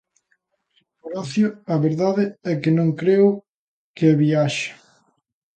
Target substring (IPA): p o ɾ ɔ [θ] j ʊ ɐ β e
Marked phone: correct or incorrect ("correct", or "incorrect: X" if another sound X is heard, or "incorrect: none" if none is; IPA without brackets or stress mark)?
correct